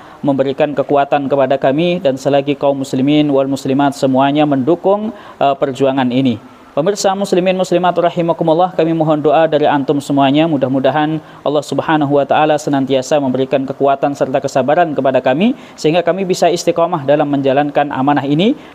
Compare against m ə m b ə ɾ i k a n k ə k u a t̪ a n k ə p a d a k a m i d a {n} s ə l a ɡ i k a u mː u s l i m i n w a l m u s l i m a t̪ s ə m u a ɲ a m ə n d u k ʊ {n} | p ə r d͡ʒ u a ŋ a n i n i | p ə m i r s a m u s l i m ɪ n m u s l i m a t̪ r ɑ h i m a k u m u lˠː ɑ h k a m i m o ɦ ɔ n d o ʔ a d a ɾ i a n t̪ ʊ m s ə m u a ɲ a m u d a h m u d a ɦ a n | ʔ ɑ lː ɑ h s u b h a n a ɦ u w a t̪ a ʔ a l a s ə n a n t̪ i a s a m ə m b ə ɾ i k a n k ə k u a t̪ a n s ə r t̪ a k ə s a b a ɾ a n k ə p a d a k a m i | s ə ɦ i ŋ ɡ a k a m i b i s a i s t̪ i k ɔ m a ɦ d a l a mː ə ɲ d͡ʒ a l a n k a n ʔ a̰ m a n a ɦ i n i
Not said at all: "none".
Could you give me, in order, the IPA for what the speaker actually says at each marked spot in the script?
n, ŋ

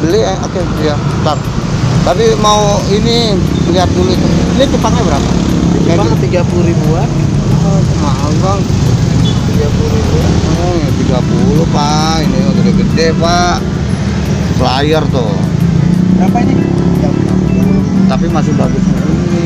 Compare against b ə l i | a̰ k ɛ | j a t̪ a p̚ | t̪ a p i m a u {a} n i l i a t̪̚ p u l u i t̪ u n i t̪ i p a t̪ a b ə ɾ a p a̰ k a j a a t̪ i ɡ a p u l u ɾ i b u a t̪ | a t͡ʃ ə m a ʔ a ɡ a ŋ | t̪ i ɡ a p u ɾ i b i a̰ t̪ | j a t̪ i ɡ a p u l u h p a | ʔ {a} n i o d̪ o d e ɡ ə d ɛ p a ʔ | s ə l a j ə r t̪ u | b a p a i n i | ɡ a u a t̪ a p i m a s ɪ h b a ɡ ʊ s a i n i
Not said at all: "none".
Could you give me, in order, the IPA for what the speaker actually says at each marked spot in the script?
i, i

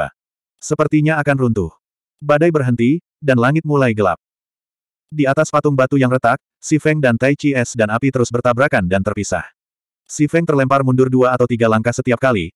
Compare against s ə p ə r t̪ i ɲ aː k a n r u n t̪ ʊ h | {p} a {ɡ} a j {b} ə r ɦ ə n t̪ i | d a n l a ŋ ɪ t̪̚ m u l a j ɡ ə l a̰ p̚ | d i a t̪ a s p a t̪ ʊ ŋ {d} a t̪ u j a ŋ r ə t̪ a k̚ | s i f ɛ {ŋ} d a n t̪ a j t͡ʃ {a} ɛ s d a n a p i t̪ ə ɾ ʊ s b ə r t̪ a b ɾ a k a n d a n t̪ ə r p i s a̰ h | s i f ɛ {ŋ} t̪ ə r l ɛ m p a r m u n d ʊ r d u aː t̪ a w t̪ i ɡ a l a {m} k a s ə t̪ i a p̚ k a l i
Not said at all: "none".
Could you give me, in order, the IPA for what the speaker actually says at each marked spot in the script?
b, d, b, b, ŋ, i, ŋ, ŋ

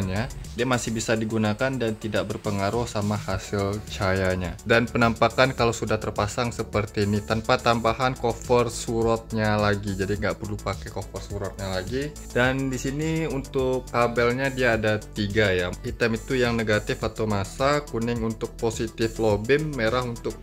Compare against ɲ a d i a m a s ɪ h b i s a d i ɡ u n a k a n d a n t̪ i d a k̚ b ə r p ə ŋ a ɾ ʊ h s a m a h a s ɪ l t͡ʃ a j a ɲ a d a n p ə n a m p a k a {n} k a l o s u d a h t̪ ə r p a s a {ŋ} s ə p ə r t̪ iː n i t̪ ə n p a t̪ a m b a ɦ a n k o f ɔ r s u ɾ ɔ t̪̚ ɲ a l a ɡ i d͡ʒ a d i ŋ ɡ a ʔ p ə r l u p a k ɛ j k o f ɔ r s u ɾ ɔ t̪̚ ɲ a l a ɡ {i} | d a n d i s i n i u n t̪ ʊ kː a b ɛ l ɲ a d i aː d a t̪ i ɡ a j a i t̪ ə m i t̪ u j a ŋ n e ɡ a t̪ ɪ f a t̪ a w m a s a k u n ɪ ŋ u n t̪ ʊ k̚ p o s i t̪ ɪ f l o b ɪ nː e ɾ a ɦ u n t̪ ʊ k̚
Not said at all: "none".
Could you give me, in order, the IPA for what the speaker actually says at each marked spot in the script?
n, ŋ, i

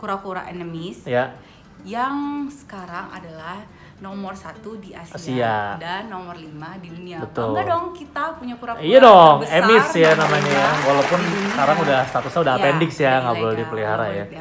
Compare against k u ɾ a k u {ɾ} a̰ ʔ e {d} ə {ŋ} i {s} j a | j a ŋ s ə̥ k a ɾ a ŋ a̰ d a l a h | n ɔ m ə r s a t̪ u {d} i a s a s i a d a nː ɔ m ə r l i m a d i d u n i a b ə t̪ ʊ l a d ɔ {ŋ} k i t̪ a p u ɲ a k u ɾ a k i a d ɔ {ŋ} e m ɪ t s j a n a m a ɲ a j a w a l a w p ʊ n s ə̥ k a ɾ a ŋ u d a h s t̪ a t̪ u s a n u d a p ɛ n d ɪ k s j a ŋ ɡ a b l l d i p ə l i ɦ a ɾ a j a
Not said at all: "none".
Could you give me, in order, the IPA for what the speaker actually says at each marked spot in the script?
ɾ, n, m, s, d, ŋ, ŋ

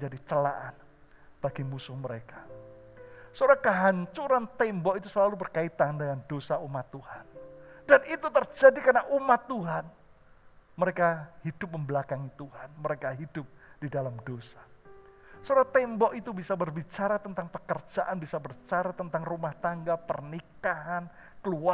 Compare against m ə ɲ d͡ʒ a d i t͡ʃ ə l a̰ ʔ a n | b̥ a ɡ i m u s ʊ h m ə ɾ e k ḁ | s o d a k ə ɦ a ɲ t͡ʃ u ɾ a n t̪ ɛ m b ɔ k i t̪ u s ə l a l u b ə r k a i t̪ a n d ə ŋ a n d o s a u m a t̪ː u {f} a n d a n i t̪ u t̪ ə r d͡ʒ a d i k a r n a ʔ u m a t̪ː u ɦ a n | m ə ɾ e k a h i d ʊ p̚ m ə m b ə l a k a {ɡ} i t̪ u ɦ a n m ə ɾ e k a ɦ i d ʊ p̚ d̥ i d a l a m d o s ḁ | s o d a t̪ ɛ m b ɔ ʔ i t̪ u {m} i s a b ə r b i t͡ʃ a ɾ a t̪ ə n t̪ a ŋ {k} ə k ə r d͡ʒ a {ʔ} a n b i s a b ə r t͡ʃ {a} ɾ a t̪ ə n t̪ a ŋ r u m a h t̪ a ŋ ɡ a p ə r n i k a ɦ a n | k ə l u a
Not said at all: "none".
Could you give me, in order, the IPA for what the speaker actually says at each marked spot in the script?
h, ŋ, b, p, ʔ, a

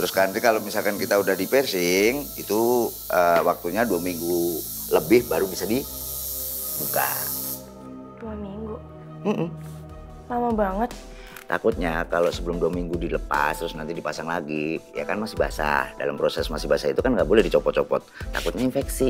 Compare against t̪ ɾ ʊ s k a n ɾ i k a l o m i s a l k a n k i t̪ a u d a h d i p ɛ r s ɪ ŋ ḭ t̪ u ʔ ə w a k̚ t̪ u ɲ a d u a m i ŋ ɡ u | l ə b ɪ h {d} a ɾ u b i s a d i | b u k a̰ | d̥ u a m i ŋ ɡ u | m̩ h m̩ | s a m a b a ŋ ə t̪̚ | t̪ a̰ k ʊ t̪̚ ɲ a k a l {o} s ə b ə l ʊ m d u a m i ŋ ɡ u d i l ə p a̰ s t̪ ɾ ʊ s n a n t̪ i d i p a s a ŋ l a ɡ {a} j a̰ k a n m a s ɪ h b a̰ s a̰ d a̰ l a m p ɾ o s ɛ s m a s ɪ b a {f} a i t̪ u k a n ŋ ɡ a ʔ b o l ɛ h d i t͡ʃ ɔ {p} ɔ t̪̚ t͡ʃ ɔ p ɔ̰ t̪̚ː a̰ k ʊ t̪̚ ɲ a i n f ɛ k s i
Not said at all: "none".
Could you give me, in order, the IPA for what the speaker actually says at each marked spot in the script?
b, o, i, s, p

